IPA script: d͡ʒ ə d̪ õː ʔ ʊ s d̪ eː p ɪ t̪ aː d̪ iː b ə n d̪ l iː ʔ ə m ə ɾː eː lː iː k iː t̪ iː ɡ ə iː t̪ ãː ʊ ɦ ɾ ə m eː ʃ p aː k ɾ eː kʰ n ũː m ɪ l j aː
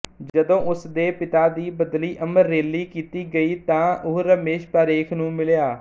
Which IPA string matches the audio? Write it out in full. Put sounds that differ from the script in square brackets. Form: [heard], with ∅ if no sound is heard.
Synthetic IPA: d͡ʒ ə d̪ õː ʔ ʊ s d̪ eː p ɪ t̪ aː d̪ iː b ə [∅] d̪ l iː ʔ ə m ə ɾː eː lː iː k iː t̪ iː ɡ ə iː t̪ ãː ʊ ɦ ɾ ə m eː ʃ p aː [∅] ɾ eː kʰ n ũː m ɪ l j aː